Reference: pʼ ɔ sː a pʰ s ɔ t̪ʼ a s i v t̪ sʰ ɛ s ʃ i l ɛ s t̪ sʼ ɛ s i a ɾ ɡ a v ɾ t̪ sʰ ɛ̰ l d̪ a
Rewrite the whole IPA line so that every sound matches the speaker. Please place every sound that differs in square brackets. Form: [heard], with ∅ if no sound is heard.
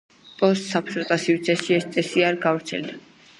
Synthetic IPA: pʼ ɔ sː a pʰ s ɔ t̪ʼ a s i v t̪ sʰ ɛ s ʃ i [∅] ɛ s t̪ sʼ ɛ s i a ɾ ɡ a v ɾ t̪ sʰ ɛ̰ l d̪ a

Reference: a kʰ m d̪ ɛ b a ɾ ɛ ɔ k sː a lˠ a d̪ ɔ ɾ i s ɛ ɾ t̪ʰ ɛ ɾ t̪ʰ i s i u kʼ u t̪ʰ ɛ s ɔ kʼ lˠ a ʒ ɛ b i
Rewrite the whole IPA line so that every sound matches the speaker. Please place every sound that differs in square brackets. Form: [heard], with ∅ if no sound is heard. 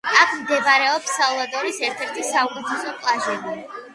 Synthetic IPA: a kʰ m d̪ ɛ b a ɾ ɛ ɔ [p] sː a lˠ a d̪ ɔ ɾ i s ɛ ɾ t̪ʰ ɛ ɾ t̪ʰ i s [a] u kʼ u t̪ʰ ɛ s ɔ [pʼ] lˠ a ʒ ɛ b i

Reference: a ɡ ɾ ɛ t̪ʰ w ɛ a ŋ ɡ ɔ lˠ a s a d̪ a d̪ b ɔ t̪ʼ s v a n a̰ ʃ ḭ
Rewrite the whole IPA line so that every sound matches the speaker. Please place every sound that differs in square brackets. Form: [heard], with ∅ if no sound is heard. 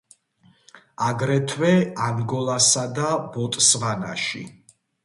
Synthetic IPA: a ɡ ɾ ɛ t̪ʰ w ɛ a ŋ ɡ ɔ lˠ a s a d̪ a [∅] b ɔ t̪ʼ s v a n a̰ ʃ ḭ

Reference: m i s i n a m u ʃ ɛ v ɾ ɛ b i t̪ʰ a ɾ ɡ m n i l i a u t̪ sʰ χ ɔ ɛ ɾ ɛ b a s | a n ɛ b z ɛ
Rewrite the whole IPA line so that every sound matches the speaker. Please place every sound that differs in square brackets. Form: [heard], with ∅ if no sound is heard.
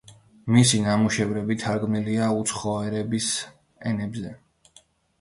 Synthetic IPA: m i s i n a m u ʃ ɛ v ɾ ɛ b i t̪ʰ a ɾ ɡ m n i l i a u t̪ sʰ χ ɔ ɛ ɾ ɛ b [i] s | [ɛ] n ɛ b z ɛ

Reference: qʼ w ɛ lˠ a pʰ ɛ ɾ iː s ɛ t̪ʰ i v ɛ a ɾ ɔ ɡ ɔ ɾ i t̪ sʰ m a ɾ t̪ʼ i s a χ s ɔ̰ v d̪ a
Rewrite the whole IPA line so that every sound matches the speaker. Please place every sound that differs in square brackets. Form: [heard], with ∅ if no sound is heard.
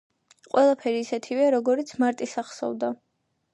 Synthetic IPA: qʼ w ɛ lˠ a pʰ ɛ ɾ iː s ɛ t̪ʰ i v ɛ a ɾ ɔ ɡ ɔ ɾ i t̪ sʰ m a ɾ t̪ʼ i s a χ s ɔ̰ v d̪ a

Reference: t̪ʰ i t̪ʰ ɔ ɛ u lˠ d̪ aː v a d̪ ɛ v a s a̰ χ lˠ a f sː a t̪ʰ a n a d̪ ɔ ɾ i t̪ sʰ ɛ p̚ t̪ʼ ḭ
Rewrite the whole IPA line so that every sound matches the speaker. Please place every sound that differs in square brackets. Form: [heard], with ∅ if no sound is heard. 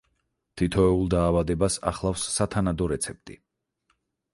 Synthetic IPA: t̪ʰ i t̪ʰ ɔ ɛ u lˠ d̪ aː v a d̪ ɛ [b] a s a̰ χ lˠ a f sː a t̪ʰ a n a d̪ ɔ ɾ [ɛ] t̪ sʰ ɛ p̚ t̪ʼ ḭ

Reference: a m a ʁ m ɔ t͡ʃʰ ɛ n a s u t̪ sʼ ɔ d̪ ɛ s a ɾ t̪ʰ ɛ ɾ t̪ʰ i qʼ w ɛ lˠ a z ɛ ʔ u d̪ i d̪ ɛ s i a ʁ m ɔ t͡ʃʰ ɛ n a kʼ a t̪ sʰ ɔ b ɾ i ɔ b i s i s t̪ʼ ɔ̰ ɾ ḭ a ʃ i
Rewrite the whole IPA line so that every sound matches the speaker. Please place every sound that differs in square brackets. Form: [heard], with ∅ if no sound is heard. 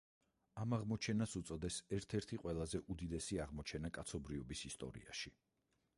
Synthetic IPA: a m a ʁ m ɔ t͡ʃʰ ɛ n a s u t̪ sʼ ɔ d̪ ɛ s [ɛ] ɾ t̪ʰ ɛ ɾ t̪ʰ i qʼ w ɛ lˠ a z ɛ ʔ u d̪ i d̪ ɛ s i a ʁ m ɔ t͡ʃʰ ɛ n a kʼ a t̪ sʰ ɔ b ɾ i ɔ b i s i s t̪ʼ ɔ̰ ɾ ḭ a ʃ i

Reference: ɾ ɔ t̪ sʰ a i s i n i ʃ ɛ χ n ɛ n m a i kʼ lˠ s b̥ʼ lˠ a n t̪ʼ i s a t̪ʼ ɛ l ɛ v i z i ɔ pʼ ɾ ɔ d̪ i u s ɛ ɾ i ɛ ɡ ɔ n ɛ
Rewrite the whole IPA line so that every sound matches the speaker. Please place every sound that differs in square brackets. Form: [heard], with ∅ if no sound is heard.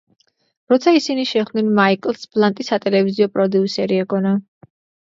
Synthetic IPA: ɾ ɔ t̪ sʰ a i s i n i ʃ ɛ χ n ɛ n m a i kʼ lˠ s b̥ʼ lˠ a n t̪ʼ i s a t̪ʼ ɛ l ɛ v i z i ɔ pʼ ɾ ɔ d̪ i u s ɛ ɾ i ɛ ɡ ɔ n [a]

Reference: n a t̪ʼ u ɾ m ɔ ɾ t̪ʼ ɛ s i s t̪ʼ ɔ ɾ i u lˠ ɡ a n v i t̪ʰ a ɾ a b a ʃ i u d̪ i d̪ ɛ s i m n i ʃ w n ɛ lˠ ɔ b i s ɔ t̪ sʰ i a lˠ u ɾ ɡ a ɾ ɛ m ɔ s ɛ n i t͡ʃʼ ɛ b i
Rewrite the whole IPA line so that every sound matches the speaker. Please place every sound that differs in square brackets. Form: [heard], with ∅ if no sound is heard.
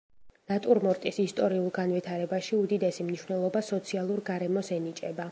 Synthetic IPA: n a t̪ʼ u ɾ m ɔ ɾ t̪ʼ [i] s i s t̪ʼ ɔ ɾ i u lˠ ɡ a n v i t̪ʰ a ɾ [ɛ] b a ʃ i u d̪ i d̪ ɛ s i m n i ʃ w n ɛ lˠ ɔ b [a] s ɔ t̪ sʰ i a lˠ u ɾ ɡ a ɾ ɛ m ɔ s ɛ n i t͡ʃʼ ɛ b [a]

